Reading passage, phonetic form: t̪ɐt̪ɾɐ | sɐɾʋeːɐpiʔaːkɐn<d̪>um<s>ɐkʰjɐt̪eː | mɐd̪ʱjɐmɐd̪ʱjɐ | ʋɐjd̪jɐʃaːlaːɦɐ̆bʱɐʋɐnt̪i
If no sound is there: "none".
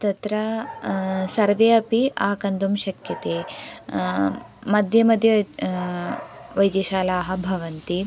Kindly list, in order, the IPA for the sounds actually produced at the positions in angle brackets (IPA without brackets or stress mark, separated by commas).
d̪, ʃ